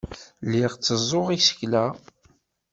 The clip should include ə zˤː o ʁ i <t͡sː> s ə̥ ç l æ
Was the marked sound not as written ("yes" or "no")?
yes